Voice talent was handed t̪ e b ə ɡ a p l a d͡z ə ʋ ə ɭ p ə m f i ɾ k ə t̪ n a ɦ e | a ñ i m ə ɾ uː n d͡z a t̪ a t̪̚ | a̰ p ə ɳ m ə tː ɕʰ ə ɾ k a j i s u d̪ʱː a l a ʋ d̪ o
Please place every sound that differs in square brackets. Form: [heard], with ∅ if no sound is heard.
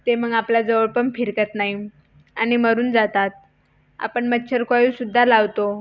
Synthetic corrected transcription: t̪ e [m] ə ɡ a p l a d͡z ə ʋ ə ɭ p ə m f i ɾ k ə t̪ n a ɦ [i] | a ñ i m ə ɾ uː n d͡z a t̪ a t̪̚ | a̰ p ə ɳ m ə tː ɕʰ ə ɾ k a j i s u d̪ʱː a l a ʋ [t̪] o